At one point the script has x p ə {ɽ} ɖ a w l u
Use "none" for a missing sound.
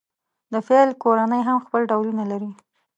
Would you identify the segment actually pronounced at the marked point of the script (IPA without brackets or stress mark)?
l